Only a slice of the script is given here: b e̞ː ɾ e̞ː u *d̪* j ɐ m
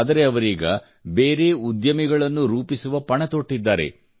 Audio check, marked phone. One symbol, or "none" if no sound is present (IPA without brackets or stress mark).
d̪